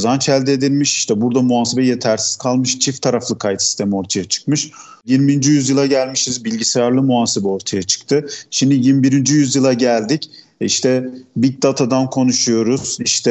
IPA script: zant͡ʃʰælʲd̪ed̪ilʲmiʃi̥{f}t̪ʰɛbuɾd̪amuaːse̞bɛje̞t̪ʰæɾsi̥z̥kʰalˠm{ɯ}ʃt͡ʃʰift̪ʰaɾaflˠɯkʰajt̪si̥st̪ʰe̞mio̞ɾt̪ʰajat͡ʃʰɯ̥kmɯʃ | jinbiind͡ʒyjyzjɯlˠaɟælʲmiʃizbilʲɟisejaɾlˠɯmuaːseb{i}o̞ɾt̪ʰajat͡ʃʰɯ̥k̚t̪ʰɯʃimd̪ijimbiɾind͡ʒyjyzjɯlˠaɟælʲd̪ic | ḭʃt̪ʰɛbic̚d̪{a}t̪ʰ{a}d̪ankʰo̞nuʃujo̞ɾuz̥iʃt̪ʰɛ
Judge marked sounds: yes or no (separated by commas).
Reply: no, yes, no, yes, yes